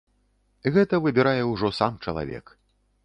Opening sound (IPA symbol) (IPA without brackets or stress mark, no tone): ɣ